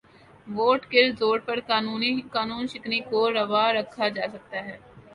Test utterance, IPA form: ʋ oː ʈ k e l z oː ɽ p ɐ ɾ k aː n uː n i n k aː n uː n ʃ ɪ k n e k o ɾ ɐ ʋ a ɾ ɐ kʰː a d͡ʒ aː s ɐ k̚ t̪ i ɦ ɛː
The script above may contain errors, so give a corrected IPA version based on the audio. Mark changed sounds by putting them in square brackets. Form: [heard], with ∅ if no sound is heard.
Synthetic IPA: ʋ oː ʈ k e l z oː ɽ p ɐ ɾ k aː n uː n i [∅] k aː n uː n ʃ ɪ k n [i] k o ɾ ɐ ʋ a ɾ ɐ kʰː a d͡ʒ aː s ɐ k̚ t̪ [a] ɦ ɛː